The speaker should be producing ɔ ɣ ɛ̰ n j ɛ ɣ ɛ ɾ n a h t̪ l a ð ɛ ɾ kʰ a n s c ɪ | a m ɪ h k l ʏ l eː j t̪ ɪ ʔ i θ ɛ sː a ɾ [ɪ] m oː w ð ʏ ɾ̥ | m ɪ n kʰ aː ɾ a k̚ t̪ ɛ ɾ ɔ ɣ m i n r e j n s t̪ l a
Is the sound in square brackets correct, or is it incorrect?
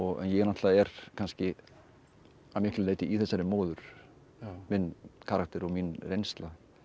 correct